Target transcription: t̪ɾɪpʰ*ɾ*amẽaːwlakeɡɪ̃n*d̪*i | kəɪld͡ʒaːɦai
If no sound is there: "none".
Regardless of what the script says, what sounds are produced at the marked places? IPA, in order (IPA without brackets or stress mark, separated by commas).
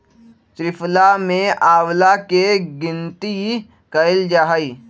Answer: l, t̪